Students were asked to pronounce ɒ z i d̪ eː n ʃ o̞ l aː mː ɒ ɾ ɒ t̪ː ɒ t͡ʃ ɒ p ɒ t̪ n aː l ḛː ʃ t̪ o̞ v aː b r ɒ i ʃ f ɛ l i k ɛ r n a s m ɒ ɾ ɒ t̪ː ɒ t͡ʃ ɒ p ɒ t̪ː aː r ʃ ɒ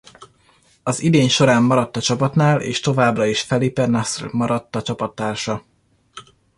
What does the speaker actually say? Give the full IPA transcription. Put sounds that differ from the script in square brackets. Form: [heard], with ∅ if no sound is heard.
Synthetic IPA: ɒ z i d̪ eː [ɲ] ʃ o̞ [ɾ] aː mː ɒ ɾ ɒ t̪ː ɒ t͡ʃ ɒ p ɒ t̪ n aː l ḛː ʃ t̪ o̞ v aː b r ɒ i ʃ f ɛ l i [p] ɛ r n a s m ɒ ɾ ɒ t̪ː ɒ t͡ʃ ɒ p ɒ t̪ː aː r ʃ ɒ

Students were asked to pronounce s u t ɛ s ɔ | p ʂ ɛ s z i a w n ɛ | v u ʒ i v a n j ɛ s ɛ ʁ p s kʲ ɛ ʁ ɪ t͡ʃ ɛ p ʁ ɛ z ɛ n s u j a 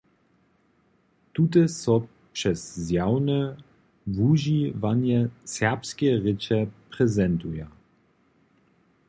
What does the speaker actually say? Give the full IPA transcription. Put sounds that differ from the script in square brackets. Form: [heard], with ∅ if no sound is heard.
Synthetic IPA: [t] u t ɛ s ɔ | p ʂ ɛ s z [j] a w n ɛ | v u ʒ i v a n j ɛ s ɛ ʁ p s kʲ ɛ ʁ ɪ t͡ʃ ɛ p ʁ ɛ z ɛ n [t] u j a

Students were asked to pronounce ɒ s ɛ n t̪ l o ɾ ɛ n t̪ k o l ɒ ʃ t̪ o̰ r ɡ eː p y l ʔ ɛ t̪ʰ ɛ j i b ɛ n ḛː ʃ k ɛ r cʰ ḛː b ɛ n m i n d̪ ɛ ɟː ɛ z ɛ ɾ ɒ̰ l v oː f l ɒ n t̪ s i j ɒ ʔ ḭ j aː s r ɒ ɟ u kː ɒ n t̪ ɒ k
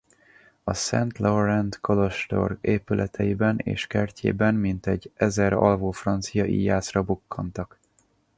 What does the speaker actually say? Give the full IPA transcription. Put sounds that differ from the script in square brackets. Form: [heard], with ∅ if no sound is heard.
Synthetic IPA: ɒ s ɛ n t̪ l o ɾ ɛ n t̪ k o l [o] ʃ t̪ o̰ r ɡ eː p y l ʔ ɛ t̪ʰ ɛ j i b ɛ n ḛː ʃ k ɛ r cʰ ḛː b ɛ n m i n [t̪] ɛ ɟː ɛ z ɛ ɾ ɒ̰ l v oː f [r] ɒ n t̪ s i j ɒ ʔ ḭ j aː s r ɒ [b] u kː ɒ n t̪ ɒ k

